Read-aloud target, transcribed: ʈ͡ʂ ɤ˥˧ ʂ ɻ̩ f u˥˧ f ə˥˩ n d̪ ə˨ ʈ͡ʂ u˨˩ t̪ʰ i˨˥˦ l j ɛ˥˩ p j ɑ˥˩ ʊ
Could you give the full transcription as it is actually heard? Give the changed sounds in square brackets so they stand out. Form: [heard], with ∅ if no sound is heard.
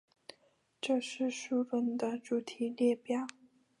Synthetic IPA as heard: ʈ͡ʂ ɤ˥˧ ʂ ɻ̩ [ʂ] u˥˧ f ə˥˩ n d̪ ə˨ ʈ͡ʂ u˨˩ t̪ʰ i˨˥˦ l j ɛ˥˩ p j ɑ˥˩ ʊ

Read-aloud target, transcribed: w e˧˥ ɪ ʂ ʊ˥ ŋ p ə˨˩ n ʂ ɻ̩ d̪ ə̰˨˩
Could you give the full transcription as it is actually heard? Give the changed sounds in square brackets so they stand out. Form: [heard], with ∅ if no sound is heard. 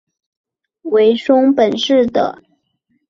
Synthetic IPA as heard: w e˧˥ ɪ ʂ ʊ˥ ŋ p ə˨˩ n ʂ ɻ̩ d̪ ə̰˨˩

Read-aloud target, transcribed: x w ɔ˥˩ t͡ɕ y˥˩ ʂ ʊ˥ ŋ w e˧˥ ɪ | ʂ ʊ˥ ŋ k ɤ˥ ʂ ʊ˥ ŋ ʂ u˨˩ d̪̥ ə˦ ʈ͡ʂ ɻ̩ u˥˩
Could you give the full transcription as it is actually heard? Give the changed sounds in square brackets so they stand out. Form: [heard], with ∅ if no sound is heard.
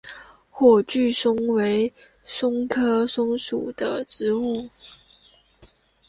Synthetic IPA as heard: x w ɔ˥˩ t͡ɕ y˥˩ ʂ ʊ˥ ŋ w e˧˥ ɪ | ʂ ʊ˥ ŋ [kʰ] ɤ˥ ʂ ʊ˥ ŋ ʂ u˨˩ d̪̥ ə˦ ʈ͡ʂ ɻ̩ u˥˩

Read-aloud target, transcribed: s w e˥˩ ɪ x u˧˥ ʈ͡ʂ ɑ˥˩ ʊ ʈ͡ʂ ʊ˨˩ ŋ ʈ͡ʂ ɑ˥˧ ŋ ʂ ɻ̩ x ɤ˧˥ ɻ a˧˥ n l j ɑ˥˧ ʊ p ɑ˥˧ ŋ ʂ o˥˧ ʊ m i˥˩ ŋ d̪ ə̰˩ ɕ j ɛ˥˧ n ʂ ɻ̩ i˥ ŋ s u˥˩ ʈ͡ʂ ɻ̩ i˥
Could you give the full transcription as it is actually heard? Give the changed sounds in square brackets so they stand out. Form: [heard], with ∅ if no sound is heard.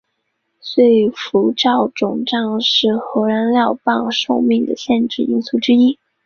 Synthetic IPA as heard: s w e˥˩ ɪ [f] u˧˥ ʈ͡ʂ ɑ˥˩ ʊ ʈ͡ʂ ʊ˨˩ ŋ ʈ͡ʂ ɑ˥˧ ŋ ʂ ɻ̩ x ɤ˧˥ ɻ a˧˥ n l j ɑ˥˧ ʊ p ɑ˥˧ ŋ ʂ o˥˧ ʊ m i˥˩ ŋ d̪ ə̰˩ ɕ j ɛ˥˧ n [ʈ͡ʂ] ɻ̩ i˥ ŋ s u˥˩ ʈ͡ʂ ɻ̩ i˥

